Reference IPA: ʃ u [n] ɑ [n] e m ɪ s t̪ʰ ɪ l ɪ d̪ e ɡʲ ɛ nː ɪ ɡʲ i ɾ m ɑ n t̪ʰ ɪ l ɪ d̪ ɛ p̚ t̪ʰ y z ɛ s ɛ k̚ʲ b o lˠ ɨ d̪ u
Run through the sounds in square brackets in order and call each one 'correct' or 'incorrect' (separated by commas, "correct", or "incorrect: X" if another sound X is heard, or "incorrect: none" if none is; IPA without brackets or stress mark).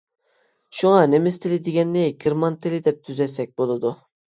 incorrect: ŋ, correct